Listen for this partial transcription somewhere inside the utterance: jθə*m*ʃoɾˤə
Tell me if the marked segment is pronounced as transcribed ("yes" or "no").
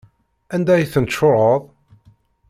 no